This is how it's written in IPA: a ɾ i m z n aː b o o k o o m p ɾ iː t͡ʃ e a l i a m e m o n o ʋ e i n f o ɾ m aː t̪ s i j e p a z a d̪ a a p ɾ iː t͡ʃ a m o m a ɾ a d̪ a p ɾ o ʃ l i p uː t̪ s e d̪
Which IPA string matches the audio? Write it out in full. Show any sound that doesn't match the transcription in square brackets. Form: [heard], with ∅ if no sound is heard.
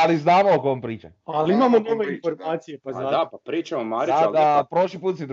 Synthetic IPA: a [l] i [∅] z n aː [m] o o k o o m p ɾ iː t͡ʃ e a l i [i] m [a] m o n o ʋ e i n f o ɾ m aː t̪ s i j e p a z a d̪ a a p ɾ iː t͡ʃ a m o m a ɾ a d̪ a p ɾ o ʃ l i p uː t̪ s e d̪